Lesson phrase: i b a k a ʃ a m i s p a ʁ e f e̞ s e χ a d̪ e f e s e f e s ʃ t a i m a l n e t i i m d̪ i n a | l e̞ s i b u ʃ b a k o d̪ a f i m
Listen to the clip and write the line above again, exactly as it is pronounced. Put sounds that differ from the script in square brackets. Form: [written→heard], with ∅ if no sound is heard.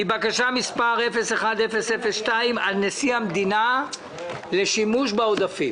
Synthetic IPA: i b a k a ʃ a m i s p a ʁ e f e̞ s e χ a d̪ e f e s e f e s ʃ t a i m a l n e [t→s] i [i→a] m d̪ i n a | l e̞ [s→ʃ] i [b→m] u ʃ b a [k→∅] o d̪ a f i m